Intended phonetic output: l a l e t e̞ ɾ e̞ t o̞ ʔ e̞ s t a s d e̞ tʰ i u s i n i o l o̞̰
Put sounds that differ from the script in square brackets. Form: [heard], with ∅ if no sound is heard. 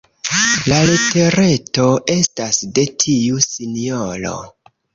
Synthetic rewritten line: l a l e t e̞ ɾ e̞ t o̞ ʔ e̞ s t a s d e̞ tʰ i u s i n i o l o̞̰